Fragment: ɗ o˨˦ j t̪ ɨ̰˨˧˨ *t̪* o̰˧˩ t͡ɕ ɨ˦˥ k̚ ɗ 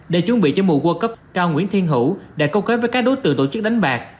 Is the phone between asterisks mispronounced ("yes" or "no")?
no